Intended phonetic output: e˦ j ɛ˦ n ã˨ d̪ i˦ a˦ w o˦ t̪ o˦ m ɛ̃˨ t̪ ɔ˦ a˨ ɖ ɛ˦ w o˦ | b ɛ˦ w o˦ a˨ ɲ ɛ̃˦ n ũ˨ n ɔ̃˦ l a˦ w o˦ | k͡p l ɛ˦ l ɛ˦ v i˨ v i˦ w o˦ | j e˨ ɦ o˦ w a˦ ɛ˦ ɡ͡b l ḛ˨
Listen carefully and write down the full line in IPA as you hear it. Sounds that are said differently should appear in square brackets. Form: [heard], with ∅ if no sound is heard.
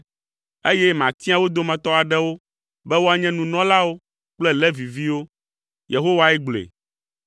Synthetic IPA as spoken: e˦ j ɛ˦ [m] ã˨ [t̪] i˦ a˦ w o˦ [d̪] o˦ m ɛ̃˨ t̪ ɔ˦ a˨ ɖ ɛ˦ w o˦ | b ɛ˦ w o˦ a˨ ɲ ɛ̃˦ n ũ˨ n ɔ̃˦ l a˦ w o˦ | k͡p l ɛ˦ l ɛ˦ v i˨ v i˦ w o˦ | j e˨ ɦ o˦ w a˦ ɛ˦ ɡ͡b l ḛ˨